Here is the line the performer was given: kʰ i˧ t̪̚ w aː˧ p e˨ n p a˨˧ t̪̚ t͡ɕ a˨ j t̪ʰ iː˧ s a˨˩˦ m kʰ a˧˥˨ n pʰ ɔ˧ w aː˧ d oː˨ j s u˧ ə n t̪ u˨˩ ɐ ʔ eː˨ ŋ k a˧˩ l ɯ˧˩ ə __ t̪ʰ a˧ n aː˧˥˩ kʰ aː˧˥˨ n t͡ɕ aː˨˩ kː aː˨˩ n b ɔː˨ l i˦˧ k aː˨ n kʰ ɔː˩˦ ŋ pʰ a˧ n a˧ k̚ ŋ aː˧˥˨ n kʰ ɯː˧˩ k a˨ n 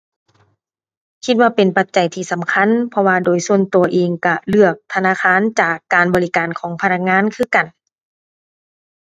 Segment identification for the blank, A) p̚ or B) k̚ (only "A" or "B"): B